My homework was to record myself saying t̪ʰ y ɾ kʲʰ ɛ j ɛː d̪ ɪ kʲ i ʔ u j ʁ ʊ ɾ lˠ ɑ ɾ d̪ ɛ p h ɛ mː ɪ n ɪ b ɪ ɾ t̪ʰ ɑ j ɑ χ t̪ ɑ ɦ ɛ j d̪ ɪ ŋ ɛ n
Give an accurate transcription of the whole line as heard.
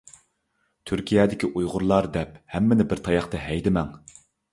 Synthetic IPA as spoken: t̪ʰ y ɾ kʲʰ i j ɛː d̪ ɪ kʲ i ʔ u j ʁ ʊ ɾ lˠ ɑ ɾ d̪ ɛ p h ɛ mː ɪ n ɪ b ɪ ɾ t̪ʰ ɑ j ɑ χ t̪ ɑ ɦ ɛ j d̪ ɪ m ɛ ŋ